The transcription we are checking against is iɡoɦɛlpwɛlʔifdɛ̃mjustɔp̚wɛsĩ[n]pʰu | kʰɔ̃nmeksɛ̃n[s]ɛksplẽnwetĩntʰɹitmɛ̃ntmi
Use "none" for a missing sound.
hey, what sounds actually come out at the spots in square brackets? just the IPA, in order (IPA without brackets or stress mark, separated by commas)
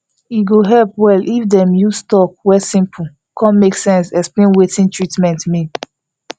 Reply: m, s